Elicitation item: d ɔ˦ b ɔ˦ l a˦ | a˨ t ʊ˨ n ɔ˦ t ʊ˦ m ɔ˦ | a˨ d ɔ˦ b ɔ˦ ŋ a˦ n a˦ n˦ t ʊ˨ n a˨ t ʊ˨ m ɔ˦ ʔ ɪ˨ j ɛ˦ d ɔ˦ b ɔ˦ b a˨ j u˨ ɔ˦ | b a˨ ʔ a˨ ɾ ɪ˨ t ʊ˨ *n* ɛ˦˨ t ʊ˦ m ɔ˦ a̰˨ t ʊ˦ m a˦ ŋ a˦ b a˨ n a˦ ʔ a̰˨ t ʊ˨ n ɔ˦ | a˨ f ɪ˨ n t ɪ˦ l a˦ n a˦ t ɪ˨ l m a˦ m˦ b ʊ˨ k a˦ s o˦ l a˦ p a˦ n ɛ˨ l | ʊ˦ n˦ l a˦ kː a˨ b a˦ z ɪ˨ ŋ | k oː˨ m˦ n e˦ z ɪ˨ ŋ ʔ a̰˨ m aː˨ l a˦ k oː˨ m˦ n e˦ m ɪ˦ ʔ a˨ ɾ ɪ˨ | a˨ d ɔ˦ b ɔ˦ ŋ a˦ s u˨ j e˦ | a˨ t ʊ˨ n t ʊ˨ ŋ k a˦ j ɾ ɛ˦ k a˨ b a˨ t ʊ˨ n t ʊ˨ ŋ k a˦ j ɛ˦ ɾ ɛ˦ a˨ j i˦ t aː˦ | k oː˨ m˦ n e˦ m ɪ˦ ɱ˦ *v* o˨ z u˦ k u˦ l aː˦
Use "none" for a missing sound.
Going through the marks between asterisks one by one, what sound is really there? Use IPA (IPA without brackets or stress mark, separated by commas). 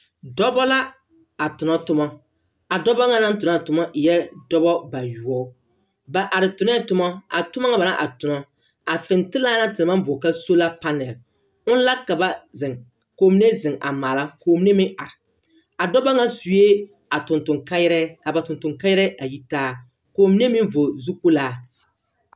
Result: n, v